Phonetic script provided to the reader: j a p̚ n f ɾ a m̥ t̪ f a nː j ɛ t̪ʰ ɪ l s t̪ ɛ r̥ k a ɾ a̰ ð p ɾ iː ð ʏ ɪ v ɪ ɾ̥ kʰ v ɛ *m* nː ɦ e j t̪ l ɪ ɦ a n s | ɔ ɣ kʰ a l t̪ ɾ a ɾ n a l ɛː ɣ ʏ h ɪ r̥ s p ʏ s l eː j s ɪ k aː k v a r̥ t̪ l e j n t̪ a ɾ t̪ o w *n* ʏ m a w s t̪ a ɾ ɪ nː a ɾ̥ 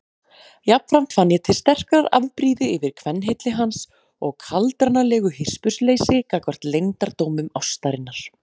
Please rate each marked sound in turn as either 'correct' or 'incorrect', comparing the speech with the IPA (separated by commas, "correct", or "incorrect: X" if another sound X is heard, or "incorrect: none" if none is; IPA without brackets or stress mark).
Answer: incorrect: none, incorrect: m